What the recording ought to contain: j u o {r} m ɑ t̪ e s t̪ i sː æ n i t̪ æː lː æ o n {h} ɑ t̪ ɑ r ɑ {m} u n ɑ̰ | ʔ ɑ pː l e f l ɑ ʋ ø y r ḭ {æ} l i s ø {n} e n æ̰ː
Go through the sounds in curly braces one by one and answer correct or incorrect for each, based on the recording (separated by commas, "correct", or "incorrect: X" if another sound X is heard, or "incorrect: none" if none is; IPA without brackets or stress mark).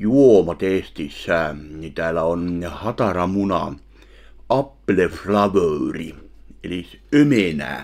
incorrect: none, correct, correct, incorrect: e, incorrect: m